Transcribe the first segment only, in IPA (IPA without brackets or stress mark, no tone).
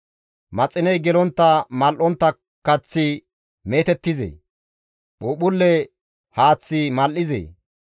m